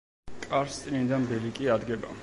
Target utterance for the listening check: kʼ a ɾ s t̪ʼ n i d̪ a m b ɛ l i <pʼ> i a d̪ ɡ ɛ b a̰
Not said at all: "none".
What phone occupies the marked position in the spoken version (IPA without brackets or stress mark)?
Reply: kʼ